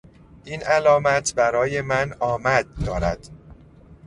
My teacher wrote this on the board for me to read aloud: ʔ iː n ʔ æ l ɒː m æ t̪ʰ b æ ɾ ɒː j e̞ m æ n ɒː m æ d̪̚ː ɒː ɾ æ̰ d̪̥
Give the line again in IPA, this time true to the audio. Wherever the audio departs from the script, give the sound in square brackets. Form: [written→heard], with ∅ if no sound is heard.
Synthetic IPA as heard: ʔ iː n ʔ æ l ɒː m æ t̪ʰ b æ ɾ ɒː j e̞ m æ n ɒː m æ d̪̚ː ɒː ɾ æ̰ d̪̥